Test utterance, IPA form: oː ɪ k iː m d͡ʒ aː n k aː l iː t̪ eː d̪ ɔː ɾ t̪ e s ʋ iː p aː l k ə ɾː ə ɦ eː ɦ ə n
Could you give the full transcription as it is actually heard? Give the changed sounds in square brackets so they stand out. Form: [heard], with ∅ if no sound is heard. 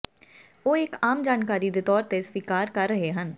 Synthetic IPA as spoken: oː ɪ k [aː] m d͡ʒ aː n k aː [ɾ] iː [d̪] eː [t̪] ɔː ɾ t̪ e s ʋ iː [k] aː [ɾ] k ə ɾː ə ɦ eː ɦ ə n

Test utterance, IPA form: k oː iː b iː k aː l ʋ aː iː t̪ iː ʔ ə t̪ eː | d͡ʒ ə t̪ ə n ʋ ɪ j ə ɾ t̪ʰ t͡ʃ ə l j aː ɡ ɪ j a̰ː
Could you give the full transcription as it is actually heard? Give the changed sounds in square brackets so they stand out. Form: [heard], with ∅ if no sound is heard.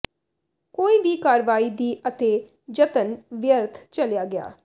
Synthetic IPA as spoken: k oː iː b iː k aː [ɾ] ʋ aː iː [d̪] iː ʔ ə t̪ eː | d͡ʒ ə t̪ ə n ʋ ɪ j ə ɾ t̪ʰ t͡ʃ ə l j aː ɡ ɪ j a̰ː

